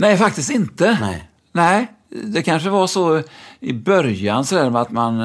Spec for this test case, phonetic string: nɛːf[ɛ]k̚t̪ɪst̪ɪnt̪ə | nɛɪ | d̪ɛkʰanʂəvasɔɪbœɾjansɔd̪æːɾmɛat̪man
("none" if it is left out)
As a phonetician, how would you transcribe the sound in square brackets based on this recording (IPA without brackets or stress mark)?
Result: a